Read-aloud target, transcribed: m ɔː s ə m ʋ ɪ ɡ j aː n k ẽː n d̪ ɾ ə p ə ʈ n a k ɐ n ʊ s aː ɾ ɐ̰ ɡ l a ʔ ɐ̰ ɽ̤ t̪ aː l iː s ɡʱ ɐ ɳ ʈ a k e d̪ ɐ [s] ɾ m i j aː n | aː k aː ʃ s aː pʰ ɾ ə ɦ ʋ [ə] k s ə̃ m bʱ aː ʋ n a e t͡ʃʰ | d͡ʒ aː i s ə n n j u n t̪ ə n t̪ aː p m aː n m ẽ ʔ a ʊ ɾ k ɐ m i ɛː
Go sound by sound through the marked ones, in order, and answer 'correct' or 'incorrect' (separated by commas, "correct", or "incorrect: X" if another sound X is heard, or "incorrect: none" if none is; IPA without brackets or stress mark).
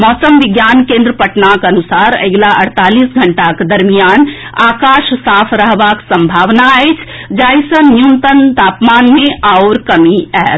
incorrect: none, incorrect: a